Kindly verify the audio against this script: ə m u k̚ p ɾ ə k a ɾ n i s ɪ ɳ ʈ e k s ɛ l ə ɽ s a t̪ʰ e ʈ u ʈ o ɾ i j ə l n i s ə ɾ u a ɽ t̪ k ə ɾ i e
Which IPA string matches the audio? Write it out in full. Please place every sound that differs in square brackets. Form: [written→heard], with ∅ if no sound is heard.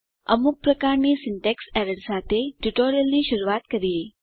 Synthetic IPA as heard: ə m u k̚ p ɾ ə k a ɾ n i s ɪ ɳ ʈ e k s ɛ [l→ɾ] ə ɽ s a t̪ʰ e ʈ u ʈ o ɾ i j ə l n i [s→ʃ] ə ɾ u a [ɽ→∅] t̪ k ə ɾ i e